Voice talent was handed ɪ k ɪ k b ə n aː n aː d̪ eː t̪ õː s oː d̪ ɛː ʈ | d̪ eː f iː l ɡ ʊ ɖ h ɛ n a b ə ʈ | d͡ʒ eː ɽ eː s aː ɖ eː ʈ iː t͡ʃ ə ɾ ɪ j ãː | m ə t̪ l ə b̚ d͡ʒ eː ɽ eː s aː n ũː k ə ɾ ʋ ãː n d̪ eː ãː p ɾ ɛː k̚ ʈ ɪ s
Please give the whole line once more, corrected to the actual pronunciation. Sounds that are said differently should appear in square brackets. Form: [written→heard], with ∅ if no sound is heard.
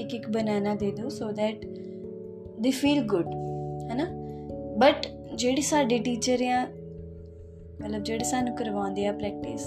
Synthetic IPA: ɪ k ɪ k b ə n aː n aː d̪ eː [t̪→d̪] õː s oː d̪ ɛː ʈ | d̪ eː f iː l ɡ ʊ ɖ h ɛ n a b ə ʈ | d͡ʒ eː ɽ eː s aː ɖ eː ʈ iː t͡ʃ ə ɾ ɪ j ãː | m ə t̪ l ə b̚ d͡ʒ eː ɽ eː s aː n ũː k ə ɾ ʋ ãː n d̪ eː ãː p ɾ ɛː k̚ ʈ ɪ s